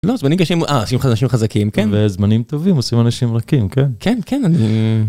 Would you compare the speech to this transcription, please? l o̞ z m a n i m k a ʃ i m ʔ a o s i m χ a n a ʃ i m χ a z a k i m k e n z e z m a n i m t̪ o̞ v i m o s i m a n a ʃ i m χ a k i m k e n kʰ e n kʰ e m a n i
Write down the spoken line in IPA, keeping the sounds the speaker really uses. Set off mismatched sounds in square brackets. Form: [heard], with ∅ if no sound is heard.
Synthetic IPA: l o̞ z m a n i m k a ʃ i m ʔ a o s i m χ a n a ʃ i m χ a z a k i m k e n [v] e z m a n i m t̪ o̞ v i m o s i m a n a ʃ i m [ʁ] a k i m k e n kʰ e n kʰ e [n] a n i